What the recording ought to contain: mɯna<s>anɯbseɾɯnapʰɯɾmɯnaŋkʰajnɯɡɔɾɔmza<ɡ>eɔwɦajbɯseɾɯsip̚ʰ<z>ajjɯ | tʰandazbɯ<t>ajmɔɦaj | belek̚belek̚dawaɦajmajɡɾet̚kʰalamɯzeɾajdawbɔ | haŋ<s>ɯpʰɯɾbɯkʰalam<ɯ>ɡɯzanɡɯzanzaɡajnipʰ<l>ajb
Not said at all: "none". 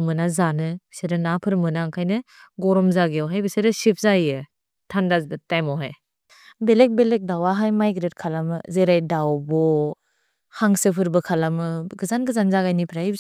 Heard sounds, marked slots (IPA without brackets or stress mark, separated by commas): z, ɡ, z, t, s, ɯ, ɾ